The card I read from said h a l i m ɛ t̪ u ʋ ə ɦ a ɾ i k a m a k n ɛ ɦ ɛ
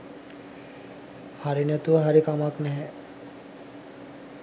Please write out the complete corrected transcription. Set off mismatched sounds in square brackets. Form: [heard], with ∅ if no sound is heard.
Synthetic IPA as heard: h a [ɾ] i [n] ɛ t̪ u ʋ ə ɦ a ɾ i k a m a k n ɛ ɦ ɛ

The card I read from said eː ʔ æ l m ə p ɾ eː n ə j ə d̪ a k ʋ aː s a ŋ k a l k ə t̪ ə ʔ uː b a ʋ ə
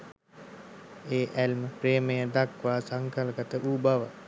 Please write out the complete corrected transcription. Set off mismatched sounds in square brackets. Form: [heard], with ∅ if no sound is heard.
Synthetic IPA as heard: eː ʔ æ l m ə p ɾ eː [m] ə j ə d̪ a k ʋ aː s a ŋ k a l k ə t̪ ə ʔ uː b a ʋ ə

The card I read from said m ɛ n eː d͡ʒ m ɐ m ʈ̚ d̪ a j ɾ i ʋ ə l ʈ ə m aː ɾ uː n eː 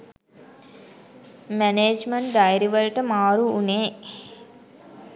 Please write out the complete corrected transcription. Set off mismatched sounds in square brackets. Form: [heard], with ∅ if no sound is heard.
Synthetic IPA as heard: m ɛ n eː d͡ʒ m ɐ [ɳ] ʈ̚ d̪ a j ɾ i ʋ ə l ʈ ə m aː ɾ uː n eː

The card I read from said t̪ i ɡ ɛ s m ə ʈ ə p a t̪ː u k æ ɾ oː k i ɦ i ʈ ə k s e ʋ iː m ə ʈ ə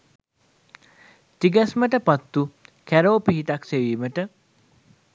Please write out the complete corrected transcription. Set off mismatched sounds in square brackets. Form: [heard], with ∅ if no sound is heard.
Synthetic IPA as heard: t̪ i ɡ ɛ s m ə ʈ ə p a t̪ː u k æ ɾ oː [p] i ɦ i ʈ [a] k s e ʋ iː m ə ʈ ə

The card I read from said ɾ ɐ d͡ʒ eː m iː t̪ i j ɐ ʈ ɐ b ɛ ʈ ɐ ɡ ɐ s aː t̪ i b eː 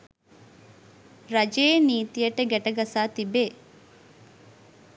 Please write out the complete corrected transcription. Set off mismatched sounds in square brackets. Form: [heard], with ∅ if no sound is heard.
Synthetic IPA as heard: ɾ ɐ d͡ʒ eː [n] iː t̪ i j ɐ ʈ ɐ [ɡ] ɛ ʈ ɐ ɡ ɐ s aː t̪ i b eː

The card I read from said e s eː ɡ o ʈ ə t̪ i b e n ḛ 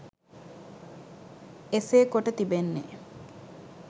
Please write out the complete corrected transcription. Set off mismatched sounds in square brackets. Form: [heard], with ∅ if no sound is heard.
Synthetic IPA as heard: e s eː [k] o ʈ ə t̪ i b e [nː] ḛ

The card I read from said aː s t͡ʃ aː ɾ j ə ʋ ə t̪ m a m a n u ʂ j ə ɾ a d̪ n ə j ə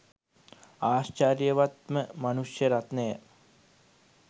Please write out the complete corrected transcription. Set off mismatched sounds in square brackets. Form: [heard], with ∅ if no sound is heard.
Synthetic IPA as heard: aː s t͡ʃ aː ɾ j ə ʋ [a] t̪ m [ə] m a n u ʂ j ə ɾ a [t̪] n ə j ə

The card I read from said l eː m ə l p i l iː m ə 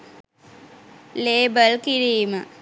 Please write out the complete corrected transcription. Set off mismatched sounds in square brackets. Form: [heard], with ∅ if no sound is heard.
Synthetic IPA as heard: l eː [b] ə l [k] i [ɾ] iː m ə

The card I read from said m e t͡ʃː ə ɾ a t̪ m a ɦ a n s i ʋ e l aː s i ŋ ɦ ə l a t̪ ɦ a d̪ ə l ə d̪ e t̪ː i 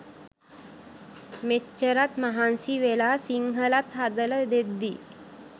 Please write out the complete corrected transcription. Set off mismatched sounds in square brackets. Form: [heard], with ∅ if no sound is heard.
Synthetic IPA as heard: m e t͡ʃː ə ɾ a t̪ m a ɦ a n s i ʋ e l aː s i ŋ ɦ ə l a t̪ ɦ a d̪ ə l ə d̪ e [d̪ː] i

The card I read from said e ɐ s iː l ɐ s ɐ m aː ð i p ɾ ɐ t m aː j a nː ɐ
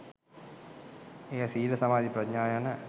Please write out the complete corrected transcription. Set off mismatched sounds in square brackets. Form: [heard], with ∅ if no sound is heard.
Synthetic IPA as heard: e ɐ s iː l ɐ s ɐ m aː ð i p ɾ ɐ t [ɲ] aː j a [n] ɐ

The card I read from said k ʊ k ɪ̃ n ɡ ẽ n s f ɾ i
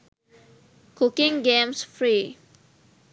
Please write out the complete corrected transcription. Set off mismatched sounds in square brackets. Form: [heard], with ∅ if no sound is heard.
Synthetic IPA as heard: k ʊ k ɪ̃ [ŋ] ɡ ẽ [m] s f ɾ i

